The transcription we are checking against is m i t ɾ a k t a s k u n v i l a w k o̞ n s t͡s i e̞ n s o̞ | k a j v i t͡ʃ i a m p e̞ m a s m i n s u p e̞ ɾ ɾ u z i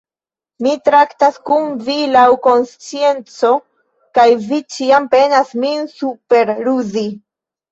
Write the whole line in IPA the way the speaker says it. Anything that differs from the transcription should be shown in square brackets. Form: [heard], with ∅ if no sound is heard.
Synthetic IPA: m i t ɾ a k t a s k u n v i l a w k o̞ n s t͡s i e̞ n [t͡s] o̞ | k a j v i t͡ʃ i a m p e̞ [n] a s m i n s u p e̞ ɾ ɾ u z i